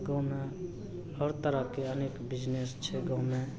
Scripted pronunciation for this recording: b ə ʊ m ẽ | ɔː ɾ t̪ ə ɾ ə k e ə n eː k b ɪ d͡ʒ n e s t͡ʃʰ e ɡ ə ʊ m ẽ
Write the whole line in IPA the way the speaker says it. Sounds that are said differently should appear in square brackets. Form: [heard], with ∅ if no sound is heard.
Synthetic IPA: [ɡ] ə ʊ m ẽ | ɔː ɾ t̪ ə ɾ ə k e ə n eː k b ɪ d͡ʒ n e s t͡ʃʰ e ɡ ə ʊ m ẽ